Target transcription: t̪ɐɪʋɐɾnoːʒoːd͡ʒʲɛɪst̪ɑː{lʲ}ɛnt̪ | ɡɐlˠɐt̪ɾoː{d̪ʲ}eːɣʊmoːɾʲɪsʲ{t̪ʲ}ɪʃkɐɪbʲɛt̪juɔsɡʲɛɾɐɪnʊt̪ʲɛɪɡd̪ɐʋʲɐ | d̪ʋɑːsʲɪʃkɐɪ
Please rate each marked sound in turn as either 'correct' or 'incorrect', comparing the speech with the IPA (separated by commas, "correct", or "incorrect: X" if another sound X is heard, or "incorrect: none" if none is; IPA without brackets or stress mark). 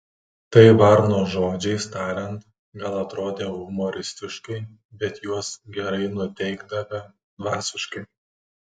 incorrect: ɾʲ, correct, correct